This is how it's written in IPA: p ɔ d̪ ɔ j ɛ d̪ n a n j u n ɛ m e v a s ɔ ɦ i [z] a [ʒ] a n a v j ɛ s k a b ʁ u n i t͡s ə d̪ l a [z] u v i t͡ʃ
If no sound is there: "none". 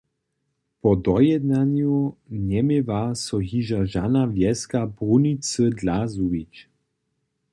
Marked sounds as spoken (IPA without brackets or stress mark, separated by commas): ʒ, ʒ, z